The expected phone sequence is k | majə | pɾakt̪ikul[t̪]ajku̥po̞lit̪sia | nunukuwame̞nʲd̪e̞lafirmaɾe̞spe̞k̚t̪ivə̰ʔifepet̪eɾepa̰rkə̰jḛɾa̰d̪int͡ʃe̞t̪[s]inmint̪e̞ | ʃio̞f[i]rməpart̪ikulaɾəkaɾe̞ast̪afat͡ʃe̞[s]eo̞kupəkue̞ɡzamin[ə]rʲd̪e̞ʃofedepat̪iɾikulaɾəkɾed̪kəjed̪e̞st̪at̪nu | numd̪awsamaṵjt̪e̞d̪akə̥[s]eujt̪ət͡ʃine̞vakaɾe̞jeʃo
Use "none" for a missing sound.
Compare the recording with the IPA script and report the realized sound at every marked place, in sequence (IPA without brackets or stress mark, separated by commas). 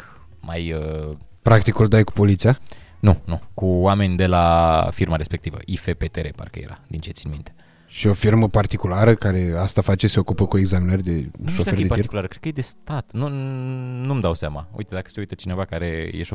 d̪, s, i, s, ə, s